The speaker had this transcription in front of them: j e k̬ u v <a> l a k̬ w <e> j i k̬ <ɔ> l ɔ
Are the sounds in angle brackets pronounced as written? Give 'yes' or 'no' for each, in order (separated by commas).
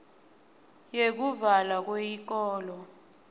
yes, yes, no